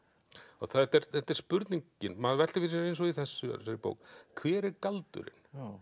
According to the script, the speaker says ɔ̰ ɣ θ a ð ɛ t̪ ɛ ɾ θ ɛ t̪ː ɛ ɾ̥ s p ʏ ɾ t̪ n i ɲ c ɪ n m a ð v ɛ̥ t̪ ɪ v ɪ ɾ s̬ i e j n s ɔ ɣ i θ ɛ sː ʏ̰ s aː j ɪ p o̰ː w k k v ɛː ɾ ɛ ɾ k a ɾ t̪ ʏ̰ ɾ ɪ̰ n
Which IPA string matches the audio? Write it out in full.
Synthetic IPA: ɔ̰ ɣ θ a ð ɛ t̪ ɛ ɾ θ ɛ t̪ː ɛ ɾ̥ s p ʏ ɾ t̪ n i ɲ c ɪ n m a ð v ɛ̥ t̪ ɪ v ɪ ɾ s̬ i e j n s ɔ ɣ i θ ɛ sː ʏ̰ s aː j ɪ p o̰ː w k kʰ v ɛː ɾ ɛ ɾ k a l t̪ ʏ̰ ɾ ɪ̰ n